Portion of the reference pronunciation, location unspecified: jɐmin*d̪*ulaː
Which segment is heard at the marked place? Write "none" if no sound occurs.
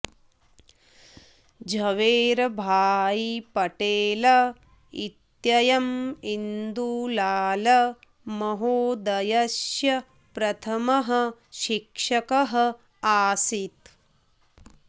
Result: d̪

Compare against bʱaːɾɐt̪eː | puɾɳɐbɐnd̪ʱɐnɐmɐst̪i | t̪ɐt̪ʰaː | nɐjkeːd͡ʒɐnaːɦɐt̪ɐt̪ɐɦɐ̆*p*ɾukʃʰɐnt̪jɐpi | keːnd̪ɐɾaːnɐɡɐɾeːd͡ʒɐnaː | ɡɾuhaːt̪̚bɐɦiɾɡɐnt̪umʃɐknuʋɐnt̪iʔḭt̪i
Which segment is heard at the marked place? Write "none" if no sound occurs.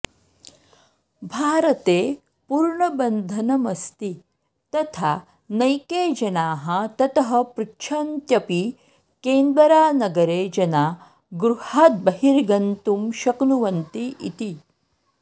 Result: p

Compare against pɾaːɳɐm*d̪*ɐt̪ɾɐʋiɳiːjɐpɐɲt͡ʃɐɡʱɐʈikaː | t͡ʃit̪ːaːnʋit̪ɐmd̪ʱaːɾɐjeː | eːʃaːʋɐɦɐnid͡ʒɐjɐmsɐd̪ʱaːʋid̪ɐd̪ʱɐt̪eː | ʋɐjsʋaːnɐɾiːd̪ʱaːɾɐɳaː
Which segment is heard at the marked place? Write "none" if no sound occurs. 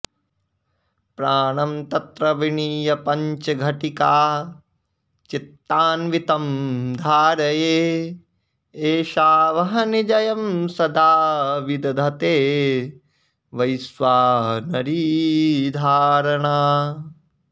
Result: t̪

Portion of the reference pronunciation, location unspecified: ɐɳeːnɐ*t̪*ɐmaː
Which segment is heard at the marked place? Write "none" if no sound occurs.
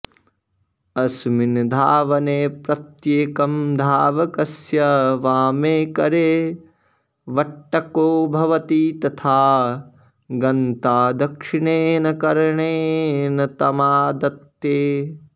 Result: t̪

